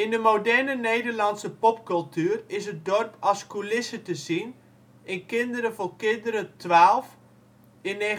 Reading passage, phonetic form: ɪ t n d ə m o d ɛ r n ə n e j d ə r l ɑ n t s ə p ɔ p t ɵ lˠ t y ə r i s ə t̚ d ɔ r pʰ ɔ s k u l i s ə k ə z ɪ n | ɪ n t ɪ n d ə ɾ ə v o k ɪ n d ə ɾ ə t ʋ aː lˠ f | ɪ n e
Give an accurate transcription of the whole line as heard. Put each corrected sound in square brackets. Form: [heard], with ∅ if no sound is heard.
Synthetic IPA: ɪ [∅] n d ə m o d ɛ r n ə n e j d ə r l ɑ n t s ə p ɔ p [k] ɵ lˠ t y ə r [ɪ] s ə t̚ d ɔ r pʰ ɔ s k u l [ɪ] s ə [t] ə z [i] n | ɪ n [k] ɪ n d ə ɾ ə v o k ɪ n d ə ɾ ə t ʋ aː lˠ f | ɪ n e